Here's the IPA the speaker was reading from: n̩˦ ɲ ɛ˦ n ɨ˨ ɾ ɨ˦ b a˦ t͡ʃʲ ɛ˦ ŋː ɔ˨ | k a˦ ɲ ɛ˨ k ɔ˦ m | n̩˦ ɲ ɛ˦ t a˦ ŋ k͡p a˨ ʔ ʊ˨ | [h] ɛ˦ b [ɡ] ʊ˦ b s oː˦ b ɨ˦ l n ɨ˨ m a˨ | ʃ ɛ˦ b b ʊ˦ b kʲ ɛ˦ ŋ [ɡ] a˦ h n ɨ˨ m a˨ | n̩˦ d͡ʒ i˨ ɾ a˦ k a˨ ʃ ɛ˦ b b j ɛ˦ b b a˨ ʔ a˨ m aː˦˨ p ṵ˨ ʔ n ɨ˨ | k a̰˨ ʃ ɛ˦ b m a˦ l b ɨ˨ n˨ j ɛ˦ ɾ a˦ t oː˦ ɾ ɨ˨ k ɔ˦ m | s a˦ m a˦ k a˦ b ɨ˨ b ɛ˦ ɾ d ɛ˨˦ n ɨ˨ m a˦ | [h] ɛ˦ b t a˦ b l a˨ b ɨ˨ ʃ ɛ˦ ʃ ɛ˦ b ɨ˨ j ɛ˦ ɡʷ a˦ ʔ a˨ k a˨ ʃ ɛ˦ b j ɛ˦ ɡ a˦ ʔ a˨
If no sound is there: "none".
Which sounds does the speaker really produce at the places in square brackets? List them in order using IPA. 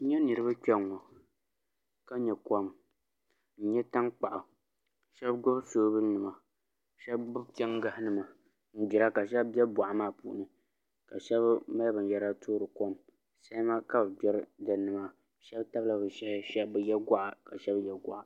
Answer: ʃ, ɡ, ɡ, ʃ

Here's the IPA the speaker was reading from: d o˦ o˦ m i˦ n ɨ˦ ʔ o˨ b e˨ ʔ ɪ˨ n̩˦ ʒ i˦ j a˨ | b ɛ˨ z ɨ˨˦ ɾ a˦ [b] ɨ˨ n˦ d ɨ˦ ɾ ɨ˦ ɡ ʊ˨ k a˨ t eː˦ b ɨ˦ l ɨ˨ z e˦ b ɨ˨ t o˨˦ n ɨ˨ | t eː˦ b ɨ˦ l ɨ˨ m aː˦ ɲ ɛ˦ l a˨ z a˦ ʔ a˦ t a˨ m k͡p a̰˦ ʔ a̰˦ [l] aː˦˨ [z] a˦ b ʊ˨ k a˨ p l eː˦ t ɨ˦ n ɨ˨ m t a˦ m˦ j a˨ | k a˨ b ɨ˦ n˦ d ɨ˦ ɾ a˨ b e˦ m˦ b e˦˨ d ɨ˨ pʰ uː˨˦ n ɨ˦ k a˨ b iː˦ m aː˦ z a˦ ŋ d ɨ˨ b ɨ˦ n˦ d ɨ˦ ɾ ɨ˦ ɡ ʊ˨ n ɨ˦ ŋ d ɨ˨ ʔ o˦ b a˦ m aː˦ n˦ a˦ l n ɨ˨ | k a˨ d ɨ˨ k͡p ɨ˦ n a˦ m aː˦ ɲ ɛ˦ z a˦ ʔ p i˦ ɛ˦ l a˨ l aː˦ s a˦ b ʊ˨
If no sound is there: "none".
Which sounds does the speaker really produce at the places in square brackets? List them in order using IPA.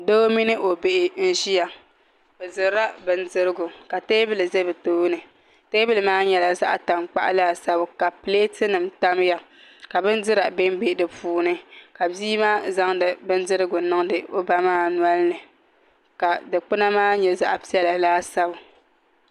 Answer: b, l, s

